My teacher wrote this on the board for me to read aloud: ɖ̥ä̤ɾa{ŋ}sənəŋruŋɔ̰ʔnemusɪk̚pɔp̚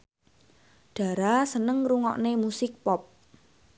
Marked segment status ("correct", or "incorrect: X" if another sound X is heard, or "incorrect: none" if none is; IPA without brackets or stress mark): incorrect: none